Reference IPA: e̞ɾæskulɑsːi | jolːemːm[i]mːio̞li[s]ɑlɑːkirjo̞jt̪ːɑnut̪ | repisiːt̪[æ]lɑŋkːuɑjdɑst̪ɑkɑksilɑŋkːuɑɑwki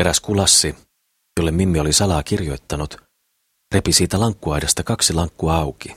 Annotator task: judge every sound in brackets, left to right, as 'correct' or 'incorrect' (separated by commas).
correct, correct, correct